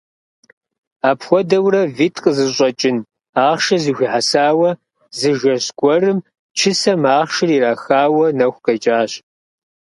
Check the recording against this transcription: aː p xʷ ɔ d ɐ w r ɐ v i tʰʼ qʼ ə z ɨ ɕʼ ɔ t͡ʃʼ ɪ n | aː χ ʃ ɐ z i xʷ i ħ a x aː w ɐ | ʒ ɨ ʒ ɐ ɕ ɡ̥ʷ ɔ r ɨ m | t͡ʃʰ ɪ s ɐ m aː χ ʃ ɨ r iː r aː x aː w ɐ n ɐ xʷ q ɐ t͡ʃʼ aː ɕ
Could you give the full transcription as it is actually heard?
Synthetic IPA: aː p xʷ ɔ d ɐ w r ɐ v i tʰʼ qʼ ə z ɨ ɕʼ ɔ t͡ʃʼ ɪ n | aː χ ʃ ɐ z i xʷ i ħ a s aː w ɐ | z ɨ ʒ ɐ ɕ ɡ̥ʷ ɔ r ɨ m | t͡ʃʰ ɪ s ɐ m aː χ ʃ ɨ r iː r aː x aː w ɐ n ɐ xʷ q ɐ t͡ʃʼ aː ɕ